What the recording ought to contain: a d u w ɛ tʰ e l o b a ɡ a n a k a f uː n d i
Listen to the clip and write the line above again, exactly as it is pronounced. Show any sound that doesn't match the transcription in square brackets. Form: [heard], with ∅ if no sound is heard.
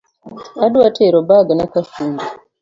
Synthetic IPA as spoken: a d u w [a] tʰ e [ɾ] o b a ɡ a n a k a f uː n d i